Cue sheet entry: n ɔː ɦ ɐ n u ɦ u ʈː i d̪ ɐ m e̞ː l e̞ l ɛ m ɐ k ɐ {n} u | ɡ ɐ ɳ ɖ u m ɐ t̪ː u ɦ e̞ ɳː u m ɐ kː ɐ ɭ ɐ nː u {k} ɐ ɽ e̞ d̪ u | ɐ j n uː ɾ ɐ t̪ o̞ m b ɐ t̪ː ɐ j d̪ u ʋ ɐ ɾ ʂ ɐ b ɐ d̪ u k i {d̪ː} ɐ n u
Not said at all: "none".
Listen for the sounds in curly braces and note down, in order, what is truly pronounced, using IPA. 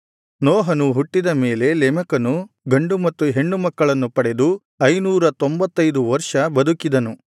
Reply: n, p, d̪

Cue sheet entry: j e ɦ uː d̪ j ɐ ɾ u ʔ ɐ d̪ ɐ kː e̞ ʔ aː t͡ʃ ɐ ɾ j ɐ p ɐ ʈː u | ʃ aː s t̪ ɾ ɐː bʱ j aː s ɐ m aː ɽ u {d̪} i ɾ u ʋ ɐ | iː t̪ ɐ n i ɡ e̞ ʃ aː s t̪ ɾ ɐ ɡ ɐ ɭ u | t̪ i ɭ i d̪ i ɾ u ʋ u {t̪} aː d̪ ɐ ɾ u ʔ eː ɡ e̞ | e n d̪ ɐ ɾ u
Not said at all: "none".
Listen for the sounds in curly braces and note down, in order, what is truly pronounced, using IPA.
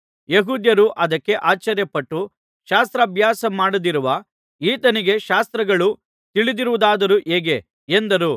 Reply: d̪, d̪

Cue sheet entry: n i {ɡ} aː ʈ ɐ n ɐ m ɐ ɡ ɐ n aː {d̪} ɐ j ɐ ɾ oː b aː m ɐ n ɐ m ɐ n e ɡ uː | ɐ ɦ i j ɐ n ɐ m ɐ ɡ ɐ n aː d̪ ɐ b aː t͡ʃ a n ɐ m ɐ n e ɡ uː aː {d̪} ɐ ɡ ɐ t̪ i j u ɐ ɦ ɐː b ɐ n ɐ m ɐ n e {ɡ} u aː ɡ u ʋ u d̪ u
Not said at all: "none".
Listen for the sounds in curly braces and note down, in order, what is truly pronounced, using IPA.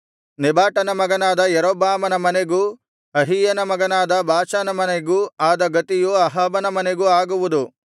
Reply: b, d̪, d̪, ɡ

